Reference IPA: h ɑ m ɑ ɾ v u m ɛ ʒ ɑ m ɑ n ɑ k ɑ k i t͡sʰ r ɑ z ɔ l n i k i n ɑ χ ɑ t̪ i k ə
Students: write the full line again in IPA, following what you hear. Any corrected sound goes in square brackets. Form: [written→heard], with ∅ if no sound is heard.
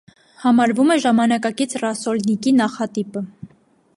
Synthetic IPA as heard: h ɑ m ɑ ɾ v u m ɛ ʒ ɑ m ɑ n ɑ k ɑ k i t͡sʰ r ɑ [z→s] ɔ l n i k i n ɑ χ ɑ t̪ i [k→p] ə